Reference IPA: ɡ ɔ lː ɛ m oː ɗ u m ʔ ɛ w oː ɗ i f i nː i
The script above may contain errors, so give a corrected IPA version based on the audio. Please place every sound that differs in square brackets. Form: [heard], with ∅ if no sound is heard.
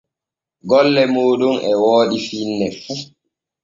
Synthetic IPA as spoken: ɡ ɔ lː ɛ m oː ɗ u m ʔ ɛ w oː ɗ i f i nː [ɛ]